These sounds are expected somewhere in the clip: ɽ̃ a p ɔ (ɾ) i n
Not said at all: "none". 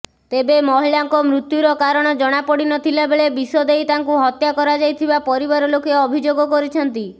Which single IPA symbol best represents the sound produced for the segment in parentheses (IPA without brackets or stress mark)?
ɽ